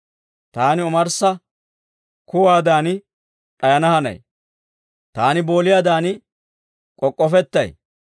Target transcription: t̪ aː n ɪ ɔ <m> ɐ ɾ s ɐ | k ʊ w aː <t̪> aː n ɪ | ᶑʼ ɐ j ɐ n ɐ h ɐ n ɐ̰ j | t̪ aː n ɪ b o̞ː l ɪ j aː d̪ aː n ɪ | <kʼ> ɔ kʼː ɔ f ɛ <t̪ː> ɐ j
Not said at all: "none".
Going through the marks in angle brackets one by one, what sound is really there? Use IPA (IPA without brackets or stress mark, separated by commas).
m, d̪, kʼ, t̪ː